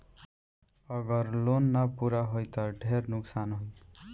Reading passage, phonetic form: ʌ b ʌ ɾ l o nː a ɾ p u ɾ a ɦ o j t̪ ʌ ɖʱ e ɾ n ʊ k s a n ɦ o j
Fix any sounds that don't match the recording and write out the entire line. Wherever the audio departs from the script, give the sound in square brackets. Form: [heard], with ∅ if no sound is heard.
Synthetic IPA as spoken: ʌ [ɡ] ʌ ɾ l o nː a [∅] p u ɾ a ɦ o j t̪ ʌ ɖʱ e ɾ n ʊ k s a n ɦ o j